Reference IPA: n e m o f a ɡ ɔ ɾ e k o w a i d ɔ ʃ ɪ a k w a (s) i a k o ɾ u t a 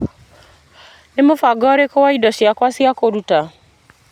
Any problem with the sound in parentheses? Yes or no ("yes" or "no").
no